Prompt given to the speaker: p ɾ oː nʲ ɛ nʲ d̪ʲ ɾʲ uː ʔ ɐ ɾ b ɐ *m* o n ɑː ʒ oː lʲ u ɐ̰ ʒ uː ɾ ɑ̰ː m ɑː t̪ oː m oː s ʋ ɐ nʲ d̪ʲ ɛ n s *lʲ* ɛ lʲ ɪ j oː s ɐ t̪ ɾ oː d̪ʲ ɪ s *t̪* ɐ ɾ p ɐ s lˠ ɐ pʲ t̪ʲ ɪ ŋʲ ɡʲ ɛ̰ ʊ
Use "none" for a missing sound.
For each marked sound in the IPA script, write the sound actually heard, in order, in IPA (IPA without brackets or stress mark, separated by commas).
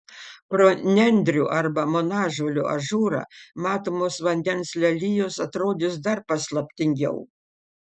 m, lʲ, d̪